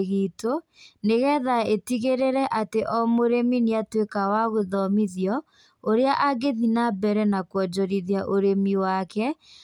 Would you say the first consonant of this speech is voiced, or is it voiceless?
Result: voiced